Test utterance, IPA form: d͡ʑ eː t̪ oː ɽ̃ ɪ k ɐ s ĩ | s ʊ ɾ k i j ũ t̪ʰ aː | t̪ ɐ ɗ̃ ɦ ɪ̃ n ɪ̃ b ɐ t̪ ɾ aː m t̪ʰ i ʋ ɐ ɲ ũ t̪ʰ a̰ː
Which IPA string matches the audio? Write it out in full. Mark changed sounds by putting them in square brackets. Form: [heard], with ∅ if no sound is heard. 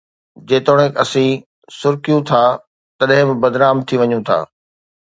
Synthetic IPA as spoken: d͡ʑ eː t̪ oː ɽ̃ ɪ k ɐ s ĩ | s ʊ ɾ k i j ũ t̪ʰ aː | t̪ ɐ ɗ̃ ɦ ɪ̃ [m] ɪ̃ b ɐ [d̪] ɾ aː m t̪ʰ i ʋ ɐ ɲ ũ t̪ʰ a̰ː